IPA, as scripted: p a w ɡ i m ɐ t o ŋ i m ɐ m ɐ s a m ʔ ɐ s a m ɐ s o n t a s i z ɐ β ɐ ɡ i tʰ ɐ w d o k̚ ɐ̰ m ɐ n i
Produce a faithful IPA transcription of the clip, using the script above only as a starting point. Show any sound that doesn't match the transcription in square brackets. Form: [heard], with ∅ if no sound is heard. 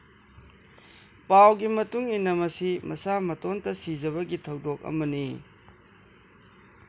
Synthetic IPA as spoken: p a w ɡ i m ɐ t [u] ŋ i [n] ɐ m ɐ s [i] m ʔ ɐ s a m ɐ [t] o n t [ɐ] s i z ɐ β ɐ ɡ i tʰ ɐ w d o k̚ ɐ̰ m ɐ n i